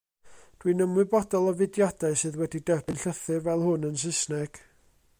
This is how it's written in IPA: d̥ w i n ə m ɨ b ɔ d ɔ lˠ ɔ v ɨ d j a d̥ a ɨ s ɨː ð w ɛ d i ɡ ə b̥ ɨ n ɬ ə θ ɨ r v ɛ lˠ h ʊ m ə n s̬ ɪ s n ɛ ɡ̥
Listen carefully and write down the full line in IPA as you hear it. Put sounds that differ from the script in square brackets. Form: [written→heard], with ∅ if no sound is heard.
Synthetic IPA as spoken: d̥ w i n ə m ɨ b ɔ d ɔ lˠ ɔ v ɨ d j a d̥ a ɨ s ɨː ð w ɛ d i [ɡ→d] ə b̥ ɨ n ɬ ə θ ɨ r v ɛ lˠ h ʊ [m→n] ə n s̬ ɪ s n ɛ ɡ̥